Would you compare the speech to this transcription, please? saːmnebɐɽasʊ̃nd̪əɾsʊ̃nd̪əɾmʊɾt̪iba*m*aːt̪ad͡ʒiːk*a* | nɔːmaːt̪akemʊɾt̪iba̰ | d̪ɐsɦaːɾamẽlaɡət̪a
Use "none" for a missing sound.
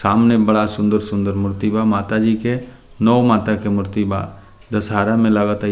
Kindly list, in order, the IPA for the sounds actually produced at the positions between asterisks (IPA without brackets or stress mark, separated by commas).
m, e